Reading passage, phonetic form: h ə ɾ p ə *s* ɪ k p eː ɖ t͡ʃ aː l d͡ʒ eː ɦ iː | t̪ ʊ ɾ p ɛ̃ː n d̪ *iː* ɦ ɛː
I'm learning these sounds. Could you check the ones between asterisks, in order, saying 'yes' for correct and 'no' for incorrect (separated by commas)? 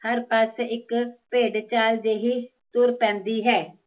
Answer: yes, yes